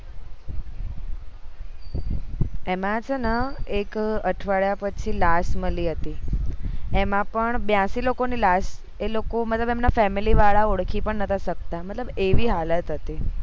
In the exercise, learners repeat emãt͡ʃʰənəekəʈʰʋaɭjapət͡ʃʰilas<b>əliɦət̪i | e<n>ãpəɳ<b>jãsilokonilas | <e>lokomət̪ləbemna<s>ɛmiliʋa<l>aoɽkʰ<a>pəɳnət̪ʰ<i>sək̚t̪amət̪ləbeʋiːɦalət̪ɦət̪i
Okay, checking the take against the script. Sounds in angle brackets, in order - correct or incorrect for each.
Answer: incorrect: m, incorrect: m, correct, correct, incorrect: f, incorrect: ɭ, incorrect: i, incorrect: a

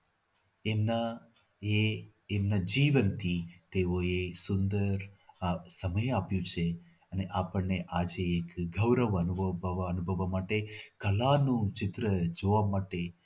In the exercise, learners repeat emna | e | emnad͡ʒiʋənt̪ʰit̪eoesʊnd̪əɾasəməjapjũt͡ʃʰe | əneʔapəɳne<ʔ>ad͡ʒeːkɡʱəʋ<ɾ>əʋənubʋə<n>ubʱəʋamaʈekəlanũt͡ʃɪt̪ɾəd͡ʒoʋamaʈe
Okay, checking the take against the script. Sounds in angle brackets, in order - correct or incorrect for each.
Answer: correct, correct, correct

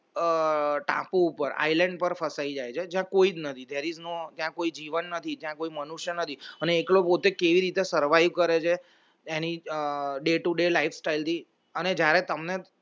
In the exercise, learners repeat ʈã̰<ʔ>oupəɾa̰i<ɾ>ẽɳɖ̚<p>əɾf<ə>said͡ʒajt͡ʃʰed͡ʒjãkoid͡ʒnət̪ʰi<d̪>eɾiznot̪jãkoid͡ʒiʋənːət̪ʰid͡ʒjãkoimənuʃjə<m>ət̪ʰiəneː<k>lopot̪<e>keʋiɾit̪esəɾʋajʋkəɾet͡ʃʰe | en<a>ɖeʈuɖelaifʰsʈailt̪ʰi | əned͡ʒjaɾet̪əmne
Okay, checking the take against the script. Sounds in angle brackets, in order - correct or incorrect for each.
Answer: incorrect: p, incorrect: l, correct, correct, correct, incorrect: n, correct, correct, incorrect: i

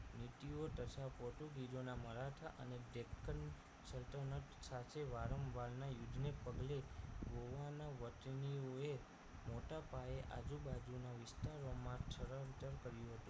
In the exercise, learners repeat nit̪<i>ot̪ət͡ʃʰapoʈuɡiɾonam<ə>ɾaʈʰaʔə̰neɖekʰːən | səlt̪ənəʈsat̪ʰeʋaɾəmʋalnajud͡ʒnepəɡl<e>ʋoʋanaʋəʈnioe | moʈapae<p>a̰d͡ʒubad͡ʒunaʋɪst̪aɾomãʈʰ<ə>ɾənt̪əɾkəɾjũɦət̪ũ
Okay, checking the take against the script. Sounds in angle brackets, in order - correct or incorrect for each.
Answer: correct, correct, correct, incorrect: ʔ, correct

